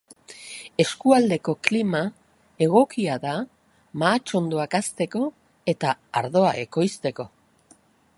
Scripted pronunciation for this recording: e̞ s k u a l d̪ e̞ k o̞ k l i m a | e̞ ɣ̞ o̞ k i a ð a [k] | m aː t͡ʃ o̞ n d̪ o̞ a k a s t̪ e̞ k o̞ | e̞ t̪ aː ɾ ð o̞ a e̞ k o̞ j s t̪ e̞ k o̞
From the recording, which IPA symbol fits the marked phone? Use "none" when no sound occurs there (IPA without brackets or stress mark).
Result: none